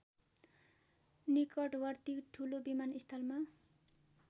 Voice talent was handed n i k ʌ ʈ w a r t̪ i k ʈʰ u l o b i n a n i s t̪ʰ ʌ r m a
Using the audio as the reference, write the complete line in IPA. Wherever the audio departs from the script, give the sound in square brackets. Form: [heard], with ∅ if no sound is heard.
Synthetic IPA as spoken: n i k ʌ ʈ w [ʌ] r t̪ i k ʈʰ u l o b i [m] a n i s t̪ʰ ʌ [l] m a